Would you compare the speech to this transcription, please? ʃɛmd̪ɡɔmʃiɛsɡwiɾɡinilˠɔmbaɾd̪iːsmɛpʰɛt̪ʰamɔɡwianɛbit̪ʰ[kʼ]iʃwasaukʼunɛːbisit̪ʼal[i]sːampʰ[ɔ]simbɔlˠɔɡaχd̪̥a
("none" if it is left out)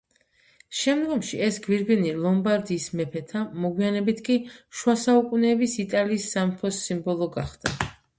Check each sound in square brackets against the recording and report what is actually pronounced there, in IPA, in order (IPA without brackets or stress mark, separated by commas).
kʼ, iː, ɔ